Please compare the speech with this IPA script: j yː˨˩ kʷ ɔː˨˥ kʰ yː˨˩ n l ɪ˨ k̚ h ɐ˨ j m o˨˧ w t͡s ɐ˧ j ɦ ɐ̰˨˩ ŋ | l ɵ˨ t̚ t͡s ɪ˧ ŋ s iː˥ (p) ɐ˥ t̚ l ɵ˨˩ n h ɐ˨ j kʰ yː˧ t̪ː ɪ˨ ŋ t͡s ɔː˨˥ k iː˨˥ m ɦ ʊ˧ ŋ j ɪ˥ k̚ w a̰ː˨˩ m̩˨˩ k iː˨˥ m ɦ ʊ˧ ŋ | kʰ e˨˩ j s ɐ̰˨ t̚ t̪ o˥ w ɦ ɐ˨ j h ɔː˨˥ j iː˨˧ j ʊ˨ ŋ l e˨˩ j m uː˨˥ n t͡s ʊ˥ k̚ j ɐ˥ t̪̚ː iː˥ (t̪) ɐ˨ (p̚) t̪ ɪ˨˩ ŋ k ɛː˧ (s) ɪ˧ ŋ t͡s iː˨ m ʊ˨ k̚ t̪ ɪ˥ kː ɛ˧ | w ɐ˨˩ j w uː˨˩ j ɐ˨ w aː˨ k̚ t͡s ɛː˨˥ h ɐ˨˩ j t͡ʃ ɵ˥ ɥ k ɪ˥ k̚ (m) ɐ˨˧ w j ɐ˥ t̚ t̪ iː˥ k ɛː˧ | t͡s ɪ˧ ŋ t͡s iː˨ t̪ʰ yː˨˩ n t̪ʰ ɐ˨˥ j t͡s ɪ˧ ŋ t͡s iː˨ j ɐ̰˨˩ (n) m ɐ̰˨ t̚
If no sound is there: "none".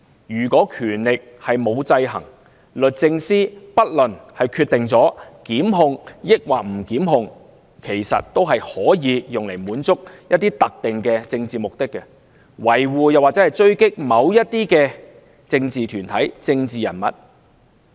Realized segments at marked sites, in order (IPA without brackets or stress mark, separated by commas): p, t̪, k̚, t͡s, m, n